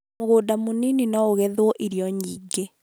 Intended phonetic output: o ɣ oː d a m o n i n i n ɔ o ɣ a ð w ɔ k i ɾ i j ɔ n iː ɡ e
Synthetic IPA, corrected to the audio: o ɣ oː d a m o n i n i n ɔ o ɣ ɛ ð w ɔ ʔ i ɾ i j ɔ ɲ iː ɡ e